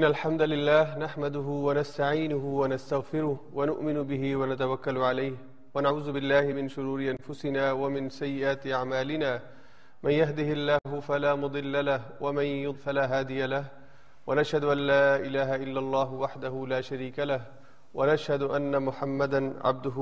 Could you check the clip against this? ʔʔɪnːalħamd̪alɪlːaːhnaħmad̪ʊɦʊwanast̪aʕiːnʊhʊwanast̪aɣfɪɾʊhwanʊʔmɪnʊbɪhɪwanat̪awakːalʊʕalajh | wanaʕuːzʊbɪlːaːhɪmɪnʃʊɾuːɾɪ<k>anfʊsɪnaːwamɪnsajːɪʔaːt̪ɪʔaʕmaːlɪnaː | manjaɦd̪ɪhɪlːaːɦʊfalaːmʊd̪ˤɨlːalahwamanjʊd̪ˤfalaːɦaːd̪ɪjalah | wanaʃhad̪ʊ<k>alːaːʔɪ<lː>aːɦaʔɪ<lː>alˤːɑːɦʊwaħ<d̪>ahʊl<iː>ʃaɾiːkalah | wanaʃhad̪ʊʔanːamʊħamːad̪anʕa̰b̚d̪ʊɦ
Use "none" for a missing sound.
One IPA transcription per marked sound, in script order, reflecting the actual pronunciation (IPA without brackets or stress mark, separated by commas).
ʔ, ʔ, l, lː, d̪, aː